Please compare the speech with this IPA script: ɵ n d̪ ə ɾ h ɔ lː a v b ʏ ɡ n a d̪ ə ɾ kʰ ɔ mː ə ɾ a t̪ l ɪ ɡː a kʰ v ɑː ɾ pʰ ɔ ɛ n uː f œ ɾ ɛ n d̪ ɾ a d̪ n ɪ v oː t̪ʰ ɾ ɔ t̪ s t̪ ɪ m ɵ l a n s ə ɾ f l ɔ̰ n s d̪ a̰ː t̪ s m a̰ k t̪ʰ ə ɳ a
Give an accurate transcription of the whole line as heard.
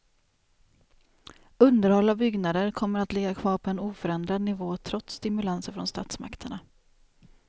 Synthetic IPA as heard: ɵ n d̪ ə ɾ h ɔ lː a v b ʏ ɡ n a d̪ ə ɾ kʰ ɔ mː ə ɾ a t̪ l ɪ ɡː a kʰ v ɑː ɾ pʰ ɔ ɛ n uː f œ ɾ ɛ n d̪ ɾ a d̪ n ɪ v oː t̪ʰ ɾ ɔ t̪ s t̪ ɪ m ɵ l a n s ə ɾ f ɾ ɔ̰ n s t̪ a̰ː t̪ s m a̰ k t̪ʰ ə ɳ a